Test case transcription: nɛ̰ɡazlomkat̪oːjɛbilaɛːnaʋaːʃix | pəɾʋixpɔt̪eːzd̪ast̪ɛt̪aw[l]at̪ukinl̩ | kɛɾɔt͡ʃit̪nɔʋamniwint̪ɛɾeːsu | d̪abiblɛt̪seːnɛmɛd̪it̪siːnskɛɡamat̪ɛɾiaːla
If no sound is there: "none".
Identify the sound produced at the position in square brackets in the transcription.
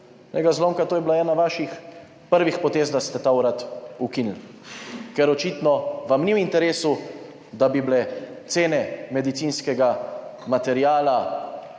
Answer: ɾ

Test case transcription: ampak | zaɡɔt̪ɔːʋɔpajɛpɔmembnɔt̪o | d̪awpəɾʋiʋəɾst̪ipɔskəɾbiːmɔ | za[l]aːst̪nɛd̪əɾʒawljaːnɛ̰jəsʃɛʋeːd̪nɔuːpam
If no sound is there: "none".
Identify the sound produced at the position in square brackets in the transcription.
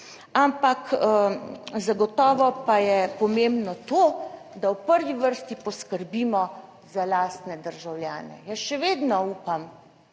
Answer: l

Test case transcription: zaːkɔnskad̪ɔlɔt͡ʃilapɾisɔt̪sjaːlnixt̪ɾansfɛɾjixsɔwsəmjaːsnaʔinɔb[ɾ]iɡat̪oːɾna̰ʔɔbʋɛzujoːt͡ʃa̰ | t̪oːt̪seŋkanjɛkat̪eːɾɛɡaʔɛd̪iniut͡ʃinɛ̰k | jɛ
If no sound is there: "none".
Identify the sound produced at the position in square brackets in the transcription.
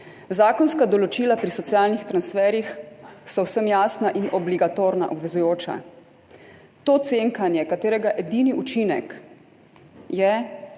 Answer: l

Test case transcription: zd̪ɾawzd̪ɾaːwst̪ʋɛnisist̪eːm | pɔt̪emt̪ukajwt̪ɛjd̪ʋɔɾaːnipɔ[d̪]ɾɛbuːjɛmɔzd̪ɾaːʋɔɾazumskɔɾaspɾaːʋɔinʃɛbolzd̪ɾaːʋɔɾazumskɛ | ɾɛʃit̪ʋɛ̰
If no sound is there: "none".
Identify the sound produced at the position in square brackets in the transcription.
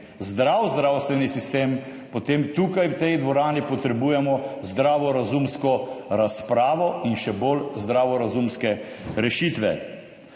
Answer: t̪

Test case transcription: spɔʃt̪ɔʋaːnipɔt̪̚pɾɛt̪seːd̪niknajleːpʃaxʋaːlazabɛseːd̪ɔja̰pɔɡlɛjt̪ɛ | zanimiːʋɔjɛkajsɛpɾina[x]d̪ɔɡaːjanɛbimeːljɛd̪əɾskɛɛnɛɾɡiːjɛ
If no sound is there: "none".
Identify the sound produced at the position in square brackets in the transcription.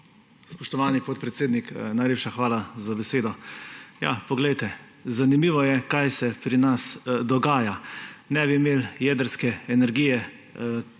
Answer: s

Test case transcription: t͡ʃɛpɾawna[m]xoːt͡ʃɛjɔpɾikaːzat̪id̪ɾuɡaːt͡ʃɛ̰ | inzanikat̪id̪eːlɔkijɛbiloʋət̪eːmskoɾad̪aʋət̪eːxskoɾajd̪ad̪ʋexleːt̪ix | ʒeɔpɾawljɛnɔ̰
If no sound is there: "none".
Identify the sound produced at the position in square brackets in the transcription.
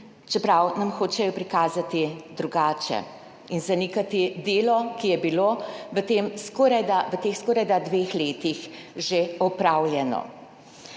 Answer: m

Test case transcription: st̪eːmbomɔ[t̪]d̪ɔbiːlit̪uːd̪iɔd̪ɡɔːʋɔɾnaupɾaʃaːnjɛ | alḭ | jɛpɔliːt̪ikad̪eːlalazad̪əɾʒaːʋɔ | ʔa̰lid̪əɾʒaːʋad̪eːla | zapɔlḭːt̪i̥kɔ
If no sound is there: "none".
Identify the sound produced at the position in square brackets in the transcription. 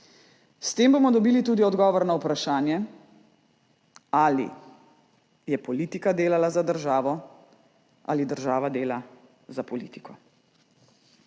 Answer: none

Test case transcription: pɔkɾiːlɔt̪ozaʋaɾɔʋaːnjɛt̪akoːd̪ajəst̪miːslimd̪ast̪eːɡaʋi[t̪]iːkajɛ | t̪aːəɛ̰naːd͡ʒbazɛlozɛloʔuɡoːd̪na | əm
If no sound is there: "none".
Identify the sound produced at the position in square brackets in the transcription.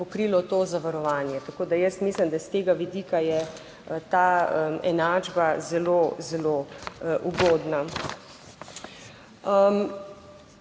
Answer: d̪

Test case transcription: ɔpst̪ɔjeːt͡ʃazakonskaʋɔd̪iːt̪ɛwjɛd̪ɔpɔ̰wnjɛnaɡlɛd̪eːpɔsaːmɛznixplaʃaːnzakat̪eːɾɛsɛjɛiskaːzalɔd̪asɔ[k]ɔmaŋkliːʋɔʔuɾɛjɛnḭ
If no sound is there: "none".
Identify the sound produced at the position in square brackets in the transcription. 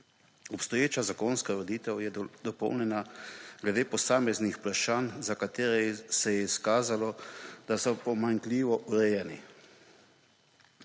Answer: p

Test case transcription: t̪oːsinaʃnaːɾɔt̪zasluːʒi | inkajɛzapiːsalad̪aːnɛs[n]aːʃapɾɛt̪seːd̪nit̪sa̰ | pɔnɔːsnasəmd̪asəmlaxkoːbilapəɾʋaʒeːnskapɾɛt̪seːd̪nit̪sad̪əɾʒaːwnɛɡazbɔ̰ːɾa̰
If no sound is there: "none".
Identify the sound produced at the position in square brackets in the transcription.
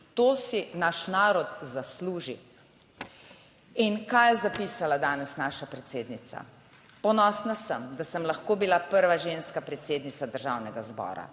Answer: n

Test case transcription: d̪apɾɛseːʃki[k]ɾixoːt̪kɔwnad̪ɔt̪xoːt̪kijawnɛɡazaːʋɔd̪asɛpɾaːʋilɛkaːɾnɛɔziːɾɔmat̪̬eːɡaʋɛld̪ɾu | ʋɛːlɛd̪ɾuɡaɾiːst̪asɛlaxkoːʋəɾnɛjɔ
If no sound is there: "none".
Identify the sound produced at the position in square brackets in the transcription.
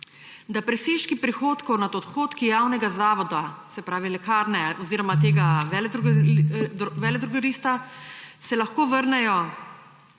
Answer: p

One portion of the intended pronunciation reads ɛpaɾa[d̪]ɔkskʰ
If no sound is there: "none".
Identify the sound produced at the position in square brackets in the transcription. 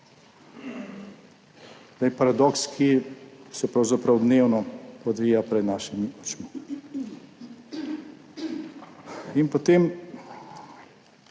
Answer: d̪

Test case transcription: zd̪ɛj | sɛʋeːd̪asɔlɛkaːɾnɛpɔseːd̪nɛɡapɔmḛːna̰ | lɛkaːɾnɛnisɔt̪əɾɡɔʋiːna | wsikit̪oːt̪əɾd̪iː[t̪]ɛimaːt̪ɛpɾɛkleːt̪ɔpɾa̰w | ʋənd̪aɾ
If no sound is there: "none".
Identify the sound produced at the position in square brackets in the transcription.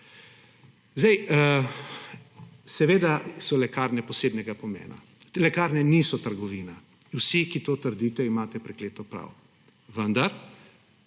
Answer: t̪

